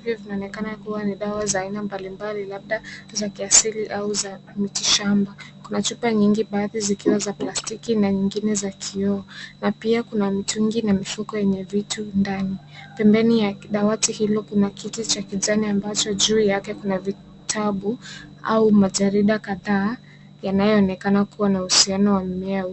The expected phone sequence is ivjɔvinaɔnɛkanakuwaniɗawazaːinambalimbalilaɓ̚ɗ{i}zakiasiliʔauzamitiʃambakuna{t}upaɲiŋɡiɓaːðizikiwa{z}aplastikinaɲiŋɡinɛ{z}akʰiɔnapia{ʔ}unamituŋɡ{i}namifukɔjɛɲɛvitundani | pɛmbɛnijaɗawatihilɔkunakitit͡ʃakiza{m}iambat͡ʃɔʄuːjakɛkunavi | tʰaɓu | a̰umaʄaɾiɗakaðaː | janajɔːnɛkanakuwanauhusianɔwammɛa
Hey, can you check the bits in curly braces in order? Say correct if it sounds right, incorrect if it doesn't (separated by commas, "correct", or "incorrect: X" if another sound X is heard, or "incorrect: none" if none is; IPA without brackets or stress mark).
incorrect: a, incorrect: t͡ʃ, correct, correct, incorrect: k, correct, incorrect: n